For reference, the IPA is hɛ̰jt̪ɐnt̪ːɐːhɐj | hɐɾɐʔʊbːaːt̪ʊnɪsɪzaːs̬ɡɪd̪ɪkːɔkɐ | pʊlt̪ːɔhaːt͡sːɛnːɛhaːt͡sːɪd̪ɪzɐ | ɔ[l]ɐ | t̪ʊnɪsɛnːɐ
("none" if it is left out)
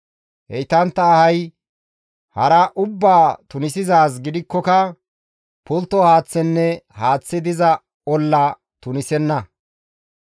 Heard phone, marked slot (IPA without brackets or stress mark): lː